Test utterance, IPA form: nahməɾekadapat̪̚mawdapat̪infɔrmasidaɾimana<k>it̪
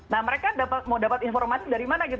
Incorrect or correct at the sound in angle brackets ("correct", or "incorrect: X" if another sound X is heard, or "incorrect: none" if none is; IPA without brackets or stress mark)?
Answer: incorrect: ɡ